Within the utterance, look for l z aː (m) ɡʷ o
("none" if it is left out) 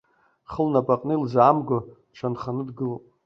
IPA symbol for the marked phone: m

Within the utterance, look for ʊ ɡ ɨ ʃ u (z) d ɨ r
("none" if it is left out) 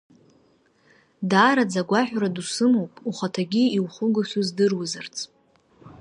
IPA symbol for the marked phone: z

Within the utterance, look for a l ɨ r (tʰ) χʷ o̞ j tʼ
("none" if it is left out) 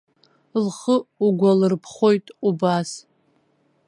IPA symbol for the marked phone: pʰ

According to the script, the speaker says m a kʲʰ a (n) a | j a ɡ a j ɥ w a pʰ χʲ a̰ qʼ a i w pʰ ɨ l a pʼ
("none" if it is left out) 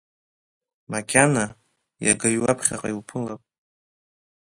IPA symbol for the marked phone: n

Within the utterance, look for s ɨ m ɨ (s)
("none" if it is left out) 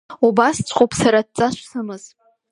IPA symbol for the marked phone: z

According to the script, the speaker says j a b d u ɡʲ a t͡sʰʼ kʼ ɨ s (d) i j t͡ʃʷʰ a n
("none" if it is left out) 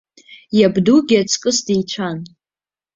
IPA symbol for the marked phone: d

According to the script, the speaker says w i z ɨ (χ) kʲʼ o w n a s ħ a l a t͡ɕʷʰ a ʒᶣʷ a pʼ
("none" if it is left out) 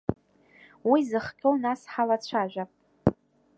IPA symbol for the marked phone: χ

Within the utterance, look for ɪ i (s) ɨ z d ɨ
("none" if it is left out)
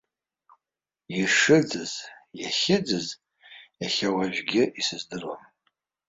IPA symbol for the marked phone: s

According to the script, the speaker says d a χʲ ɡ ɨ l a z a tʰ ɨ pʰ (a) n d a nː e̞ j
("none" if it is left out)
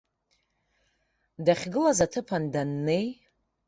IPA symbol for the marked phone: a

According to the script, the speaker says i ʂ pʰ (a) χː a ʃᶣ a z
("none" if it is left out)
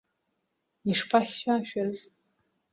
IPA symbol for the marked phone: a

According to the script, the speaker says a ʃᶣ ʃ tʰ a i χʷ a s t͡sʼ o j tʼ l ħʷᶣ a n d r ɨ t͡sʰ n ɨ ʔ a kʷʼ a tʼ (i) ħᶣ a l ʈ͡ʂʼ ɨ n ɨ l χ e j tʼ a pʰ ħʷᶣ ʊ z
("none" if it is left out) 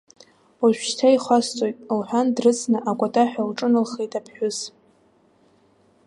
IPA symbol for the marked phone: a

